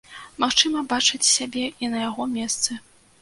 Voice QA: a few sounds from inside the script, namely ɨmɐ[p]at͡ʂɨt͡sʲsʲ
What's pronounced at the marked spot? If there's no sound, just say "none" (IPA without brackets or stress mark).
b